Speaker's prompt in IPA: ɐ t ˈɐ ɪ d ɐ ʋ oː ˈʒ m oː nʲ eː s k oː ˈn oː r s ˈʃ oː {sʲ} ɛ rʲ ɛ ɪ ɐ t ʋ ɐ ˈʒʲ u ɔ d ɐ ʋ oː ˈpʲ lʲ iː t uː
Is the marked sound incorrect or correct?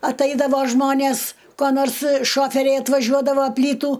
incorrect